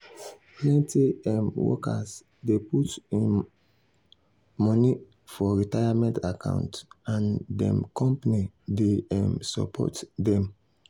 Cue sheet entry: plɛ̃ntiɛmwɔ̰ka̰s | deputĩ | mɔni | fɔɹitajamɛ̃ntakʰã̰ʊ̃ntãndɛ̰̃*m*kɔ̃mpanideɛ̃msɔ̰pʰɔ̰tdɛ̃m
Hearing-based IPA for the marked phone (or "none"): m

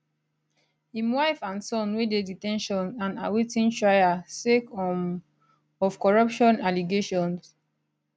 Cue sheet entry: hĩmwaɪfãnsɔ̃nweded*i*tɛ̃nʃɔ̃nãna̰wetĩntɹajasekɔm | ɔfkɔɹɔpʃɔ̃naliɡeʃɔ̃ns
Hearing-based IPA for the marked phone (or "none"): i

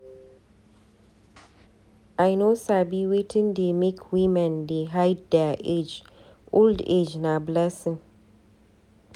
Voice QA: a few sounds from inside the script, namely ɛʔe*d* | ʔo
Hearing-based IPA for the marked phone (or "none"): d͡ʒ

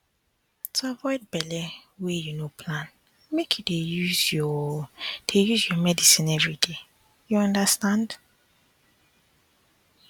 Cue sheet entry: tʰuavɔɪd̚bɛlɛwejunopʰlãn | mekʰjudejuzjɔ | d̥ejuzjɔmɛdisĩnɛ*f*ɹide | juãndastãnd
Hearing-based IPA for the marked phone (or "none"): v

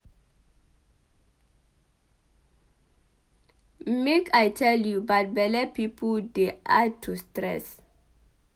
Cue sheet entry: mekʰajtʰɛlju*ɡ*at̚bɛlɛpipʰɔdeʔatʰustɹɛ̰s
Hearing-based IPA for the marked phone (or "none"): b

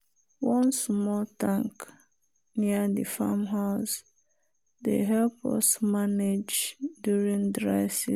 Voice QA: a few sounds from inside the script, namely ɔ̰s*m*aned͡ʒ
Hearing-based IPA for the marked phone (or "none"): m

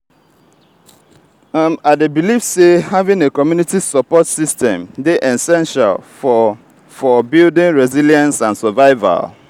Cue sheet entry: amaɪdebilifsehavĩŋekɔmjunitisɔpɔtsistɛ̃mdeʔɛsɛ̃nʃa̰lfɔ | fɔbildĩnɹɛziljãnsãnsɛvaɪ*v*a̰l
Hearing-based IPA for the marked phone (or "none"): v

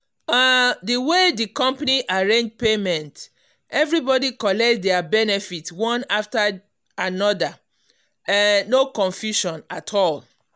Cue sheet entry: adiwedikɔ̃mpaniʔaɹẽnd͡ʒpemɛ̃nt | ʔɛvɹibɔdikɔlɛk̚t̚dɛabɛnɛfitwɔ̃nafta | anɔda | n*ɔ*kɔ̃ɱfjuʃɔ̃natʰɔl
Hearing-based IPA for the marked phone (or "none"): o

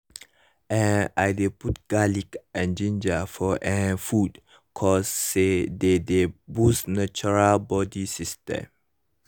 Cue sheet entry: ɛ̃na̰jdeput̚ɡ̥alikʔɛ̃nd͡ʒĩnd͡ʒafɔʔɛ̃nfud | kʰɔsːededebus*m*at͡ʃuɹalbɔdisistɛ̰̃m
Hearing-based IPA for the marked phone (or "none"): n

